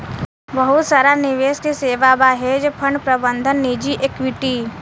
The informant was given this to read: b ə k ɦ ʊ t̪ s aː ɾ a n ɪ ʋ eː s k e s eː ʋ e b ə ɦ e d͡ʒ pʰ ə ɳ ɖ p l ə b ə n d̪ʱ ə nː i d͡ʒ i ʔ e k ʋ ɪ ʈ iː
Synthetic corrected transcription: b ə ɦ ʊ t̪ s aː ɾ a n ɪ ʋ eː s k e s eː ʋ a b a ɦ e d͡ʒ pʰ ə ɳ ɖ p ɾ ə b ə n d̪ʱ ə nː i d͡ʒ i ʔ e k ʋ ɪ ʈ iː